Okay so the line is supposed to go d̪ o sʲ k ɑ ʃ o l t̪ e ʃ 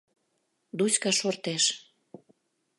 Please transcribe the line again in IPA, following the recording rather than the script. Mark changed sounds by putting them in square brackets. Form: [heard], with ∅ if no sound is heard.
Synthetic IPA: d̪ [u] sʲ k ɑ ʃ o [r] t̪ e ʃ